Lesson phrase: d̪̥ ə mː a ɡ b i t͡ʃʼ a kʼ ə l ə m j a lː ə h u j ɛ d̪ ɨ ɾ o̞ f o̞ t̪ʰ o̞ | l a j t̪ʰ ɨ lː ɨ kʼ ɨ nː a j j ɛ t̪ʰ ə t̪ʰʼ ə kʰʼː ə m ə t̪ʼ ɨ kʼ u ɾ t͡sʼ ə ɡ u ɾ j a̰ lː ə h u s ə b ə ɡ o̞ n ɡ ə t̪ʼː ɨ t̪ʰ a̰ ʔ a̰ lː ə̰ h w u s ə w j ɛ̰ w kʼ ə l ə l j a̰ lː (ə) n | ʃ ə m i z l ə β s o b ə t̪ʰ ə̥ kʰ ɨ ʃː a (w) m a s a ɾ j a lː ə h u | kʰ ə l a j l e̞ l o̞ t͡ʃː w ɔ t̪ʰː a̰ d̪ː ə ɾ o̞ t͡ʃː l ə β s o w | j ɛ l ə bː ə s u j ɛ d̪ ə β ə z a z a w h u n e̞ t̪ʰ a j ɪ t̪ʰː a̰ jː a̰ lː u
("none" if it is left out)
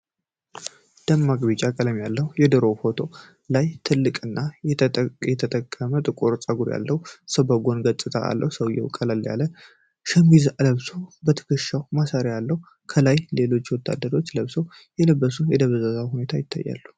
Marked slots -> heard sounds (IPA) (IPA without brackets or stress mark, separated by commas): ə, w